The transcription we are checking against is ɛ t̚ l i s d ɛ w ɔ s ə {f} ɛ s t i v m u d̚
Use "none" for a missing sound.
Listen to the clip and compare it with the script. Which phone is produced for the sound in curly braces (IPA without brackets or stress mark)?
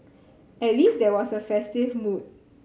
f